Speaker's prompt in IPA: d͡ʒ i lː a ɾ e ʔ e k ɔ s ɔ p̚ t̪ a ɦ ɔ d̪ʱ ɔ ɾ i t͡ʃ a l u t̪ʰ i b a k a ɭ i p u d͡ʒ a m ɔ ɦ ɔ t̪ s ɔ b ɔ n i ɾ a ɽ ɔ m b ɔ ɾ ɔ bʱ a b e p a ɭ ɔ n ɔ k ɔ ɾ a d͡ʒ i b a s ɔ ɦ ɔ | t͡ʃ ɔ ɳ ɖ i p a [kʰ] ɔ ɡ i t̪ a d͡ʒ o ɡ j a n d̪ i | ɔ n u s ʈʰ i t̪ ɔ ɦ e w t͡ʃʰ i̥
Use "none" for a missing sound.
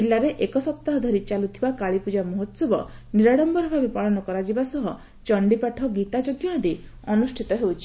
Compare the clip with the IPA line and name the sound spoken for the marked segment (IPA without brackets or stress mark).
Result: ʈʰ